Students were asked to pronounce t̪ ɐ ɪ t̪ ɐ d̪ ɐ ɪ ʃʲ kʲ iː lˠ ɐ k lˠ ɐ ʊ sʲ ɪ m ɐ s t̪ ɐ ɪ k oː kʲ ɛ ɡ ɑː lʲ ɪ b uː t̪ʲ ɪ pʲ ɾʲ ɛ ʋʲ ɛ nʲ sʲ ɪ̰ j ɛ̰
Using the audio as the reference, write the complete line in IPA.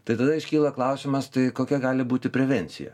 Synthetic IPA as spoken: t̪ ɐ ɪ t̪ ɐ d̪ ɐ ɪ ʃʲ kʲ iː lˠ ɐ k lˠ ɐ ʊ sʲ ɪ m ɐ s t̪ ɐ ɪ k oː kʲ ɛ ɡ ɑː lʲ ɪ b uː t̪ʲ ɪ pʲ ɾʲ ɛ ʋʲ ɛ nʲ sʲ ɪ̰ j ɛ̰

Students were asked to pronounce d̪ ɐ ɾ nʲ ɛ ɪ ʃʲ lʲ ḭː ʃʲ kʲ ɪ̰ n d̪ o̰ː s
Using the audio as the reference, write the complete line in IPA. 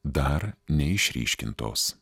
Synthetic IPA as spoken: d̪ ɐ ɾ nʲ ɛ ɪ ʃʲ ɾʲ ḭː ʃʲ kʲ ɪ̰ n t̪ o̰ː s

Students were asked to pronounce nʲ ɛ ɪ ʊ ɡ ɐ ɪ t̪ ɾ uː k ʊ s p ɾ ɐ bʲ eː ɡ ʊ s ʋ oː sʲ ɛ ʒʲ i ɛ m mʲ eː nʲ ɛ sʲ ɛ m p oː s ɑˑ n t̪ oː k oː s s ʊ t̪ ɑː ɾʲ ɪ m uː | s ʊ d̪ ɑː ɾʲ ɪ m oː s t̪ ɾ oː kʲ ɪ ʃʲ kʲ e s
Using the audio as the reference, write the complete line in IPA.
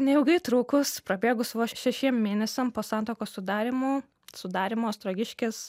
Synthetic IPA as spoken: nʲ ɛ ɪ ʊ ɡ ɐ ɪ t̪ ɾ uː k ʊ s p ɾ ɐ bʲ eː ɡ ʊ s ʋ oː ʃʲ ɛ ʃʲ i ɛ m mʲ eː nʲ ɛ sʲ ɛ m p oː s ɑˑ n t̪ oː k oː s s ʊ d̪ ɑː ɾʲ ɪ m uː | s ʊ d̪ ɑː ɾʲ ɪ m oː s t̪ ɾ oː ɡʲ ɪ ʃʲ kʲ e s

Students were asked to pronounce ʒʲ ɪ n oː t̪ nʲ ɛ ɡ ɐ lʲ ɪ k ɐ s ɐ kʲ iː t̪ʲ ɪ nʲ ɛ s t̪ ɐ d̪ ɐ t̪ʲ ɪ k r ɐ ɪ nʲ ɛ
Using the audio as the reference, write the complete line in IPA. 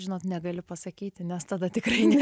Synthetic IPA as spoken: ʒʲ ɪ n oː t̪ nʲ ɛ ɡ ɐ lʲ ɪ p ɐ s ɐ kʲ iː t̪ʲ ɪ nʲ ɛ s t̪ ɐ d̪ ɐ t̪ʲ ɪ k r ɐ ɪ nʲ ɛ

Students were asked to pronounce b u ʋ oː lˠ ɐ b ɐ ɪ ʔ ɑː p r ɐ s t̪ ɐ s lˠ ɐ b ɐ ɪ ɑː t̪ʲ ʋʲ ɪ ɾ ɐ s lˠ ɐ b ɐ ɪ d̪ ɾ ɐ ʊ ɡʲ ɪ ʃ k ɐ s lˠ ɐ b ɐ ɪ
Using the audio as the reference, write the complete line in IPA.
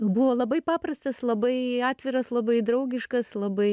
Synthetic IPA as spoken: b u ʋ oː lˠ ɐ b ɐ ɪ p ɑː p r ɐ s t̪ ɐ s lˠ ɐ b ɐ ɪ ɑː t̪ʲ ʋʲ ɪ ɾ ɐ s lˠ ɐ b ɐ ɪ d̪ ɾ ɐ ʊ ɡʲ ɪ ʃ k ɐ s lˠ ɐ b ɐ ɪ

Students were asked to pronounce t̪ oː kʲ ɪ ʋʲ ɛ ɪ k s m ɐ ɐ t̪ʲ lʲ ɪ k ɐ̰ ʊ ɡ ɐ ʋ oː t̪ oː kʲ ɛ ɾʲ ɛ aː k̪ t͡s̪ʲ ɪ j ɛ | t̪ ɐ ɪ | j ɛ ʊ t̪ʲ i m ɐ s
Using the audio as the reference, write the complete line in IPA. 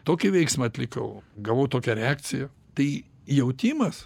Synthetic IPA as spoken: t̪ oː kʲ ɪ ʋʲ ɛ ɪ k s m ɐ ɐ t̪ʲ lʲ ɪ k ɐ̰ ʊ ɡ ɐ ʋ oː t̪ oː kʲ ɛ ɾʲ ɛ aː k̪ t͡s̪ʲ ɪ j ɛ | t̪ ɐ ɪ | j ɛ ʊ t̪ʲ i m ɐ s

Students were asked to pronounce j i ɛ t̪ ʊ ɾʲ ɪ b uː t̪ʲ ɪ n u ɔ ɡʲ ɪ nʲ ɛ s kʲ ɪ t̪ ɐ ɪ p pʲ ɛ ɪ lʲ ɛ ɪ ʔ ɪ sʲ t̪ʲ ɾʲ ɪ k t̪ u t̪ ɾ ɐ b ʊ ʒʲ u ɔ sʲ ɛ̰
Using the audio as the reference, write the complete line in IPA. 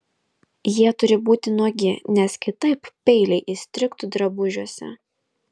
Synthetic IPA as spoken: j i ɛ t̪ ʊ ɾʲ ɪ b uː t̪ʲ ɪ n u ɔ ɡʲ ɪ nʲ ɛ s kʲ ɪ t̪ ɐ ɪ p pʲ ɛ ɪ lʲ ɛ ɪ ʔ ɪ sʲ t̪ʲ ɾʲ ɪ k t̪ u d̪ ɾ ɐ b ʊ ʒʲ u ɔ sʲ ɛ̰

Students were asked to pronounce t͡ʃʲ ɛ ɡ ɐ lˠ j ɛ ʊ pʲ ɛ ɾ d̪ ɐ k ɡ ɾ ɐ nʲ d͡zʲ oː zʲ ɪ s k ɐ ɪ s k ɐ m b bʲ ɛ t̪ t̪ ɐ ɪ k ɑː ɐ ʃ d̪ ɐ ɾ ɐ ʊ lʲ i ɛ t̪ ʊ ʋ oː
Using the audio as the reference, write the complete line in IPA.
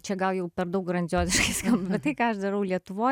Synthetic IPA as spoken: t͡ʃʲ ɛ ɡ ɐ lˠ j ɛ ʊ pʲ ɛ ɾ d̪ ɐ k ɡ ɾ ɐ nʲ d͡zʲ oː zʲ ɪ ʃ k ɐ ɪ s k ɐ m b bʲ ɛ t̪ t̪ ɐ ɪ k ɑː ɐ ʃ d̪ ɐ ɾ ɐ ʊ lʲ i ɛ t̪ ʊ ʋ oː

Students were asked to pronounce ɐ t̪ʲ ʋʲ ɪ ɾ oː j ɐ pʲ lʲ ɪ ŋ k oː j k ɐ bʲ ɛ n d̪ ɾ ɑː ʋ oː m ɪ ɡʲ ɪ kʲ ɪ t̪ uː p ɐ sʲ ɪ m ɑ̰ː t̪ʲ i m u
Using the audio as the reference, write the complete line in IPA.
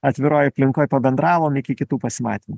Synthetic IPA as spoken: ɐ t̪ʲ ʋʲ ɪ ɾ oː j ɐ pʲ lʲ ɪ ŋ k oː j p ɐ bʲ ɛ n d̪ ɾ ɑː ʋ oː m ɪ kʲ ɪ kʲ ɪ t̪ uː p ɐ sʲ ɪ m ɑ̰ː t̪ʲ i m u

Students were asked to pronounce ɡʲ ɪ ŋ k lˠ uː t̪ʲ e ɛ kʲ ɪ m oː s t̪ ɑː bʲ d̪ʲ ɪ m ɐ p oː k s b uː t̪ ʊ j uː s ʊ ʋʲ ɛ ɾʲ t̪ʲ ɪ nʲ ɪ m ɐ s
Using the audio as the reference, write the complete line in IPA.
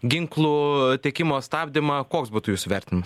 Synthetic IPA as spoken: ɡʲ ɪ ŋ k lˠ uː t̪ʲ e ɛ kʲ ɪ m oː s t̪ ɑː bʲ d̪ʲ ɪ m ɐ k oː k s b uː t̪ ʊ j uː s ʊ ʋʲ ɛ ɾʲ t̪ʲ ɪ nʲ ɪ m ɐ s

